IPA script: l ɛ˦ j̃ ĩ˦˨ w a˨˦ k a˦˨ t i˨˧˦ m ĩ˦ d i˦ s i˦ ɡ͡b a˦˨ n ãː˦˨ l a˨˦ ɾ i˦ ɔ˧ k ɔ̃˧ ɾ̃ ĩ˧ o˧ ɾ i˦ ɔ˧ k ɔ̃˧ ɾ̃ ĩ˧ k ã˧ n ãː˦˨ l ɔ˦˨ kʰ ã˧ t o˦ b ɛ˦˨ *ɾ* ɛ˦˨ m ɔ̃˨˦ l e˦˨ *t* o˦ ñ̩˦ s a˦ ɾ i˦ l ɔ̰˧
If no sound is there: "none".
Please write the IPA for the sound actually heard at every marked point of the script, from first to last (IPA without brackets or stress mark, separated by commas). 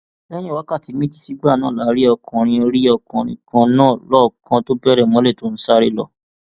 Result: ɾ, t